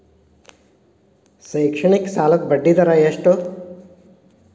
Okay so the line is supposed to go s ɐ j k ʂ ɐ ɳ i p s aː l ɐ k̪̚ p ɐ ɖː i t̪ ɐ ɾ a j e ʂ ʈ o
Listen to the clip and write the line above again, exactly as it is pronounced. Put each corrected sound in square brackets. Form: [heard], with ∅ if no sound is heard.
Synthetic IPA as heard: s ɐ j k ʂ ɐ ɳ i [k] s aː l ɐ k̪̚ [b] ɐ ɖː i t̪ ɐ ɾ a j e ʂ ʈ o